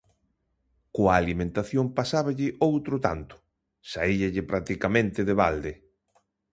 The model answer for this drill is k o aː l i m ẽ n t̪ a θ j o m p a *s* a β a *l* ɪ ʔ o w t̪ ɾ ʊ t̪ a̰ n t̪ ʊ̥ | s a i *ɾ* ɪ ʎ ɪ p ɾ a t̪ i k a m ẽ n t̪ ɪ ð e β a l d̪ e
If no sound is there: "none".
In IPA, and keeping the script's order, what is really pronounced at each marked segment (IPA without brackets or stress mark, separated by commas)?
s, ʎ, ʎ